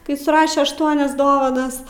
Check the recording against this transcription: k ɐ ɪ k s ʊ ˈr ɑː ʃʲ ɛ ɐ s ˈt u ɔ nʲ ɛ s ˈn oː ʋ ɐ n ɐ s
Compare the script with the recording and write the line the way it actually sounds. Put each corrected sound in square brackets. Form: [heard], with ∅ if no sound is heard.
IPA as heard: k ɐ ɪ [∅] s ʊ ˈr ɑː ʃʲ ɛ ɐ [ʃ] ˈt u ɔ nʲ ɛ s [ˈd] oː ʋ ɐ n ɐ s